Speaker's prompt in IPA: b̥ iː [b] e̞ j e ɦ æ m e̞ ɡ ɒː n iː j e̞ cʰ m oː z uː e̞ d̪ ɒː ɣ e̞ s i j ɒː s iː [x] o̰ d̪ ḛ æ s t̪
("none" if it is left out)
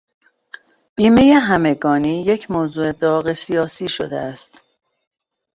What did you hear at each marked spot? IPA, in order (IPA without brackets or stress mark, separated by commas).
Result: m, ʃ